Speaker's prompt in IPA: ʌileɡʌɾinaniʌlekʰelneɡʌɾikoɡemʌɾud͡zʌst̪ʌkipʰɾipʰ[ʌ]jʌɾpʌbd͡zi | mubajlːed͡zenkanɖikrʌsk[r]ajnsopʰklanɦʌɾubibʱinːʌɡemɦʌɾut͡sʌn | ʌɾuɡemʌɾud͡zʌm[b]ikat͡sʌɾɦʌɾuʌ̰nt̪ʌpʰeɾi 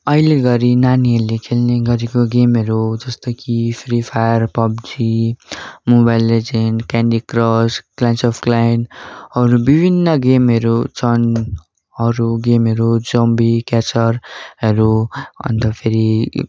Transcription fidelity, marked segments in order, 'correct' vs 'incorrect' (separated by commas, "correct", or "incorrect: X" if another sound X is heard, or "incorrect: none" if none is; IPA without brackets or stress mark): incorrect: a, incorrect: l, correct